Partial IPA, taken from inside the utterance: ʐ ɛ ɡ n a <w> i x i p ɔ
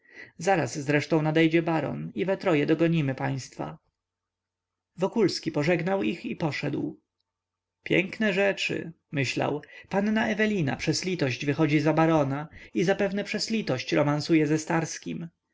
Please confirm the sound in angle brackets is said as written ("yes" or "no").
yes